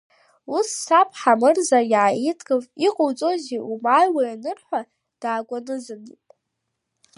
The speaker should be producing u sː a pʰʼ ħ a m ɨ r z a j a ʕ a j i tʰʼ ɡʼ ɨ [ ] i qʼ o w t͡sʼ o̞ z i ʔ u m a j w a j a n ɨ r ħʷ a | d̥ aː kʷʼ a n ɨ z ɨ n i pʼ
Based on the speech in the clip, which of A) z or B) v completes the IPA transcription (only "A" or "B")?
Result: B